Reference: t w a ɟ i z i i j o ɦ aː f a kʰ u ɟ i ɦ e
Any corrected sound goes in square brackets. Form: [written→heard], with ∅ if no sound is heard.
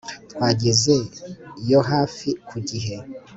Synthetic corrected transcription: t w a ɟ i z [i→e] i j o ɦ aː f [a→i] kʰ u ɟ i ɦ e